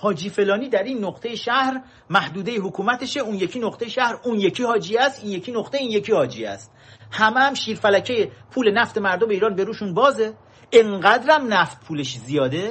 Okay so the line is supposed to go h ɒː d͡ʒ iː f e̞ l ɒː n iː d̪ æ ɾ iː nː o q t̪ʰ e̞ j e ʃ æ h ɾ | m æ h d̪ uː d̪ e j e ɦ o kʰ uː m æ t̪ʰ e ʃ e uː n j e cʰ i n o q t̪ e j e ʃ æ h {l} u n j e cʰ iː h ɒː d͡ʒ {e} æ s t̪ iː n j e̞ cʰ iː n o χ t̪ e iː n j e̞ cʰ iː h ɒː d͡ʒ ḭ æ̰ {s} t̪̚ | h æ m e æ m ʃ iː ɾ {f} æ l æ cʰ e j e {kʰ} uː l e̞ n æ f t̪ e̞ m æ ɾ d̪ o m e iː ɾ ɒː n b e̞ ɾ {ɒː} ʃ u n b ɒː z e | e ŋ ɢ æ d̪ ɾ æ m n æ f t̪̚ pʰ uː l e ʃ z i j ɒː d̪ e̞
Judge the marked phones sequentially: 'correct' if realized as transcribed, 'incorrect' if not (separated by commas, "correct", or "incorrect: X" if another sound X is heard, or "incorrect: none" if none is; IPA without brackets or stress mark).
incorrect: ɾ, incorrect: i, correct, correct, incorrect: pʰ, incorrect: uː